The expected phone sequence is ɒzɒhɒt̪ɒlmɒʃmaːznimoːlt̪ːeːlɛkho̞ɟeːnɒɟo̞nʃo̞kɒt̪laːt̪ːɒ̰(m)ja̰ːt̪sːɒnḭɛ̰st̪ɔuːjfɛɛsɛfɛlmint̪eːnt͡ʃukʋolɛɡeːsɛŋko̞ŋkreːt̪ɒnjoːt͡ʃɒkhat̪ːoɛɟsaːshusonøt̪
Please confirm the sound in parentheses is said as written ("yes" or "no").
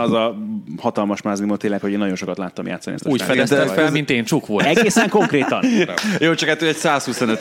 yes